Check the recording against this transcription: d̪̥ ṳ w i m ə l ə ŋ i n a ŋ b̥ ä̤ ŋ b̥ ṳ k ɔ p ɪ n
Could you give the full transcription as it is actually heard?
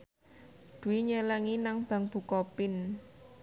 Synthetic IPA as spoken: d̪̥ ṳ w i ɲ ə l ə ŋ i n a ŋ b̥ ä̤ ŋ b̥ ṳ k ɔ p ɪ n

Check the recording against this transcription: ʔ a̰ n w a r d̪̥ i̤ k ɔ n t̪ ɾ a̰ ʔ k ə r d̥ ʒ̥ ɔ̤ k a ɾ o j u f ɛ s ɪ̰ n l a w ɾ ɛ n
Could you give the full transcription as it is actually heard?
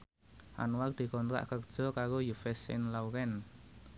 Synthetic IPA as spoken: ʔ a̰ n w a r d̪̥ i̤ k ɔ n t̪ ɾ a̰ ʔ k ə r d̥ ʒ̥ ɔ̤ k a ɾ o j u f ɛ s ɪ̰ n l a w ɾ ɛ n

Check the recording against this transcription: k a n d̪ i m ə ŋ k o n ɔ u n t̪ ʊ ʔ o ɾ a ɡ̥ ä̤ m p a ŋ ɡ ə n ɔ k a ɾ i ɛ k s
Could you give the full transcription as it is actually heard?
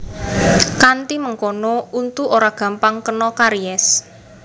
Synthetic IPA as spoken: k a n t̪ i m ə ŋ k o n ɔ u n t̪ u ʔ o ɾ a ɡ̥ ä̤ m p a ŋ k ə n ɔ k a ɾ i ɛ s

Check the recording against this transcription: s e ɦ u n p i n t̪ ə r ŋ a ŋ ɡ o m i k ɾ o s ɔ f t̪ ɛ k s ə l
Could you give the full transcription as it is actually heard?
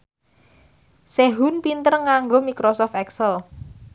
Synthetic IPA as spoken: s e ɦ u n p i n t̪ ə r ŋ a ŋ ɡ o m i k ɾ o s ɔ f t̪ ɛ k s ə l

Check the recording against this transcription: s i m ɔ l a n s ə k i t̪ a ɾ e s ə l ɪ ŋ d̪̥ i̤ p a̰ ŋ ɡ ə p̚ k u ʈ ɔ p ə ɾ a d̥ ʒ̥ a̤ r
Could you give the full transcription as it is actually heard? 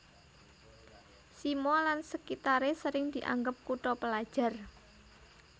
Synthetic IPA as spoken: s i m ɔ l a n s ə k i t̪ a ɾ e s ə ɾ ɪ ŋ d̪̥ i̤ ʔ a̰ ŋ ɡ ə p̚ k u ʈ ɔ p ə l a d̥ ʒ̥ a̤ r

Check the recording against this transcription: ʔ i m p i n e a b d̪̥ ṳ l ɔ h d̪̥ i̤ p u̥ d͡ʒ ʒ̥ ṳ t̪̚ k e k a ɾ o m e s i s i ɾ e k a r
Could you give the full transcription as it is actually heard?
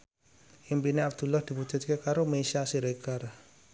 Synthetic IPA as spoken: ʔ i m p i n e a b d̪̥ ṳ l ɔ h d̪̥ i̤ p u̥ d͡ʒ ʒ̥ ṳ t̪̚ k e k a ɾ o m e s a s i ɾ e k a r

